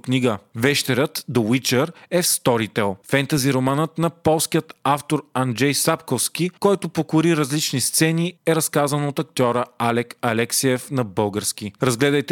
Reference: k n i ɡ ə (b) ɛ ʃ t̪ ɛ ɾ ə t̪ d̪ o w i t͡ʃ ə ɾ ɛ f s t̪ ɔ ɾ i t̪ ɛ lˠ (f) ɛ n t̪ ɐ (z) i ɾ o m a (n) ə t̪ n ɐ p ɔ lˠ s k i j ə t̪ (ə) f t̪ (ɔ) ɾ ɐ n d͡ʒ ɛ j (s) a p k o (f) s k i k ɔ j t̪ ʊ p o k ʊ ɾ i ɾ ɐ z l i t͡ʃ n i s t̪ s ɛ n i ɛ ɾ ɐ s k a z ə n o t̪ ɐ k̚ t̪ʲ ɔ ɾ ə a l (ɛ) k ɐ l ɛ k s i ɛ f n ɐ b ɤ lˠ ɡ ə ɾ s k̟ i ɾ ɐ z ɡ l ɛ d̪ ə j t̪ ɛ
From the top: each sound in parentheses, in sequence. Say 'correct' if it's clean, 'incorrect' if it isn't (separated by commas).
incorrect, correct, correct, correct, incorrect, incorrect, correct, correct, correct